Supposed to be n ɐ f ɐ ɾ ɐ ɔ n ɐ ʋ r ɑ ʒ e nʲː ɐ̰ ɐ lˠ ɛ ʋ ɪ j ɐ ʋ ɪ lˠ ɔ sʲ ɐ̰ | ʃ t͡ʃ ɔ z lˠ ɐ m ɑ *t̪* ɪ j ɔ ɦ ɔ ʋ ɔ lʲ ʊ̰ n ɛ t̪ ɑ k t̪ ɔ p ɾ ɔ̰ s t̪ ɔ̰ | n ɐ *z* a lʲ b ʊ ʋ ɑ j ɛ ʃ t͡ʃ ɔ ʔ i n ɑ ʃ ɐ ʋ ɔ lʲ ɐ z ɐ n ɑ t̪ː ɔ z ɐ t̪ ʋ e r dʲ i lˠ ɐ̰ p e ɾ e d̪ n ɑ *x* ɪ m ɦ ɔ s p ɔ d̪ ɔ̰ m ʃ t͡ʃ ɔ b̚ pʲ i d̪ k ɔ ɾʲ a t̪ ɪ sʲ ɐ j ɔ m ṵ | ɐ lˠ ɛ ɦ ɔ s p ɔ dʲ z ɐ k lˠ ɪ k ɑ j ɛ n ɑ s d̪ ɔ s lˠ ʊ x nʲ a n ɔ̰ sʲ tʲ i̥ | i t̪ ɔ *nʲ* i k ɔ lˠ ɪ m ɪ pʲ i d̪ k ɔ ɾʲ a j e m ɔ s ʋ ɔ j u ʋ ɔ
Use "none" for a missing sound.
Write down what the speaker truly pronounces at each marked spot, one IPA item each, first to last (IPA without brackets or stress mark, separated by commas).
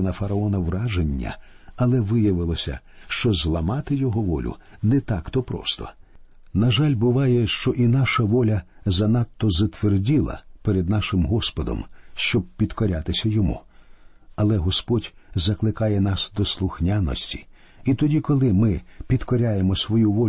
t̪, ʒ, ʃ, dʲ